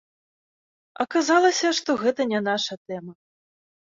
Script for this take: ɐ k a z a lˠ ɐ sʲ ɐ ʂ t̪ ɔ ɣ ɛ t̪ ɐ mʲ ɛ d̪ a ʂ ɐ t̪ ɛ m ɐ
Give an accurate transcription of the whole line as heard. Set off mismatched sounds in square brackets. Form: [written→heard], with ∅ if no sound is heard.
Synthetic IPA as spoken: ɐ k a z a lˠ ɐ sʲ ɐ ʂ t̪ ɔ ɣ ɛ t̪ ɐ [mʲ→nʲ] ɛ [d̪→n̪] a ʂ ɐ t̪ ɛ m ɐ